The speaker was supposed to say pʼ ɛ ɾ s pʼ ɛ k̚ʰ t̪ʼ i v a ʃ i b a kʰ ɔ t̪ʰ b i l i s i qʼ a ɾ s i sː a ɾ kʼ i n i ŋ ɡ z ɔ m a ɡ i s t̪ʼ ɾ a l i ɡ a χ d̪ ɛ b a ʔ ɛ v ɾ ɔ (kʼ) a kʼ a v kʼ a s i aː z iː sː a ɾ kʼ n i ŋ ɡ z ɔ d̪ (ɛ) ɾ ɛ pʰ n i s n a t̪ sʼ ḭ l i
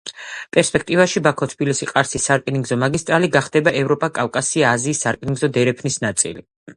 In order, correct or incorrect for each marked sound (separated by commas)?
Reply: incorrect, correct